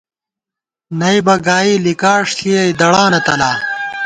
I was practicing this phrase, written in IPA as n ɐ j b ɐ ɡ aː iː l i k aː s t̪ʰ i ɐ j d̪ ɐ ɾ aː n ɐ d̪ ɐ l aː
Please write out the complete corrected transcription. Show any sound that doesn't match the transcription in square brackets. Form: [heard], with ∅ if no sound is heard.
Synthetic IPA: n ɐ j b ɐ ɡ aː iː l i k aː [ʂ] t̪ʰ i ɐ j d̪ ɐ [ɽ] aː n ɐ [t̪] ɐ l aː